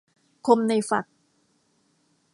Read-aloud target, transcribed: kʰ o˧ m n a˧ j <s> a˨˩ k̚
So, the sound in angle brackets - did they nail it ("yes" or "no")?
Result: no